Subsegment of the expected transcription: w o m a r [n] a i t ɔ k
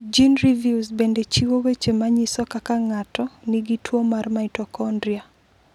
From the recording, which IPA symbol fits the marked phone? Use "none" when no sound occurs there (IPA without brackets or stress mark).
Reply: m